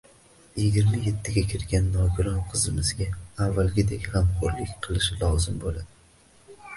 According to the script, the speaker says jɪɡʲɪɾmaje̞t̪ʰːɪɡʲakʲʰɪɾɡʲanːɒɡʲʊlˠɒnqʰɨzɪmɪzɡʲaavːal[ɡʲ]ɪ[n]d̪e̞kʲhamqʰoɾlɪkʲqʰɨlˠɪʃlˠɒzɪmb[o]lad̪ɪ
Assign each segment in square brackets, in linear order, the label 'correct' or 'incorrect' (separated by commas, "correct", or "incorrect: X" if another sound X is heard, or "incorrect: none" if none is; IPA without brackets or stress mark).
correct, incorrect: none, correct